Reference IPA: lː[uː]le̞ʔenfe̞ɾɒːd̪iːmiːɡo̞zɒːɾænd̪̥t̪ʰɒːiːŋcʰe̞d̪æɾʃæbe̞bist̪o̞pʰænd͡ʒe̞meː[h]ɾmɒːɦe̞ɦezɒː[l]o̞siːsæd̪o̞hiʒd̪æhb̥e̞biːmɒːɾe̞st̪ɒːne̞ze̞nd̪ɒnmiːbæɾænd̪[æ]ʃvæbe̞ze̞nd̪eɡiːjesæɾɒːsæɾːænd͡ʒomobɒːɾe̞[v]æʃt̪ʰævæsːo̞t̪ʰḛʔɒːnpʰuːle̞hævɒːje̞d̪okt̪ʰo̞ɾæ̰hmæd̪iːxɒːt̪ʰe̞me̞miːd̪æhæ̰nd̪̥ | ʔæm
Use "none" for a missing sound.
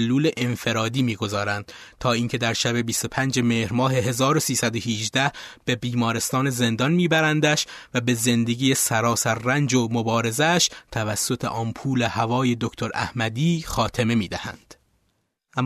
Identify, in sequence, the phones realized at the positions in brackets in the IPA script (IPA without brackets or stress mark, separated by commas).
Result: uː, h, ɾ, æ, z